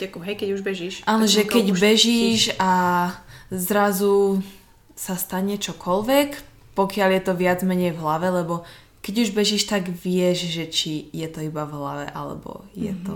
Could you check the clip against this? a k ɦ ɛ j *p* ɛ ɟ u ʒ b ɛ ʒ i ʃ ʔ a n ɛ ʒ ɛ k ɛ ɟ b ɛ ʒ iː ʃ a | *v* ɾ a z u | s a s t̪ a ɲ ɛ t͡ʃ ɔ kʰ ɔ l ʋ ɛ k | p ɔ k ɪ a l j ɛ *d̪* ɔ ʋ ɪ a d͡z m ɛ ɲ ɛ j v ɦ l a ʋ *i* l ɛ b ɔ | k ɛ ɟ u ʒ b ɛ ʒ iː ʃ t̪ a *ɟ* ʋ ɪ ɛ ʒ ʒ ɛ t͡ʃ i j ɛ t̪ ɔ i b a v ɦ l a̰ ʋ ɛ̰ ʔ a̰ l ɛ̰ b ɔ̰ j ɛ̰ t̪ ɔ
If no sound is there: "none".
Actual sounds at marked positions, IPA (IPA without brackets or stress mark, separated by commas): k, z, t̪, ɛ, ɡ